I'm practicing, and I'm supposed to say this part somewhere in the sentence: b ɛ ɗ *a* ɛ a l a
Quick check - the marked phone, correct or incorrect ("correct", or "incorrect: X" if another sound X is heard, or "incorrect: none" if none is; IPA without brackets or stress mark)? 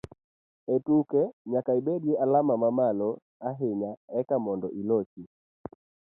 incorrect: i